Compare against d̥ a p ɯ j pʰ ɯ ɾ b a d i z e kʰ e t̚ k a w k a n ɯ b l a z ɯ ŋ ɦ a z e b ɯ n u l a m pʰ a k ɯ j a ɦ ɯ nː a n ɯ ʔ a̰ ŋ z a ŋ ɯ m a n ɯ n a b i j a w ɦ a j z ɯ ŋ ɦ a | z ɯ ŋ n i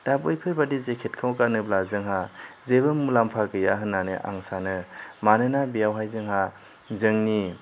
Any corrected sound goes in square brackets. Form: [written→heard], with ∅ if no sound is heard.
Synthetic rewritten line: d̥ a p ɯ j pʰ ɯ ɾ b a d i z e kʰ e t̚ [k→kʰ] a w k a n ɯ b l a z ɯ ŋ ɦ a z e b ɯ [n→m] u l a m pʰ a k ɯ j a ɦ ɯ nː a n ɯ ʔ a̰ ŋ [z→s] a [ŋ→n] ɯ m a n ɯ n a b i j a w ɦ a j z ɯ ŋ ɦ a | z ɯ ŋ n i